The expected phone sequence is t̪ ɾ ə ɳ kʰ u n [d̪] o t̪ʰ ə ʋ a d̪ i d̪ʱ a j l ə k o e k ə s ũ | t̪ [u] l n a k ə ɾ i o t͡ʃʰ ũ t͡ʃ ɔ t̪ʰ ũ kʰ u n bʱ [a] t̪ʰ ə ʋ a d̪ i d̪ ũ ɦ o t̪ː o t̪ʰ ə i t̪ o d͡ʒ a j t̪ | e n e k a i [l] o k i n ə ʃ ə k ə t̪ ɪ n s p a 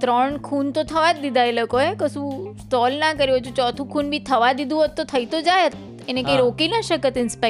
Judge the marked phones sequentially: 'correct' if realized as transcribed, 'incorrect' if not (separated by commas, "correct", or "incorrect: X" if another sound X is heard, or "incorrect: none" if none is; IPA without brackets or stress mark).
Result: incorrect: t̪, incorrect: ɔ, incorrect: i, incorrect: ɾ